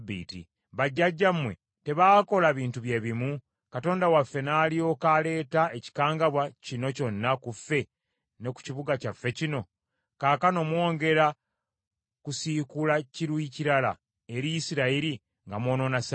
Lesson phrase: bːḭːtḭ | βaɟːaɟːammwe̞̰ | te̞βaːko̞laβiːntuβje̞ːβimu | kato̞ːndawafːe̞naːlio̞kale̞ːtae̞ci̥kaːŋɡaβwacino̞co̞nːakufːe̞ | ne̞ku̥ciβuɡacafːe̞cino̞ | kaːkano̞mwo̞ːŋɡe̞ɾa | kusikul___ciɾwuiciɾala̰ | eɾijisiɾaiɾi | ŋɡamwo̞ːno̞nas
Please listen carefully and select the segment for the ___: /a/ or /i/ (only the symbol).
a